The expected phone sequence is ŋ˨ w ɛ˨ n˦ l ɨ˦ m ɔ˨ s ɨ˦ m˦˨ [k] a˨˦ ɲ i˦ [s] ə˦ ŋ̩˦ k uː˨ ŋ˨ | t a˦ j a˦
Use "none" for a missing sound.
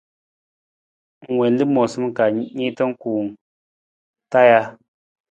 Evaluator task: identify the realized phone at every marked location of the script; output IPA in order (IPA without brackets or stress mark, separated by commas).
k, t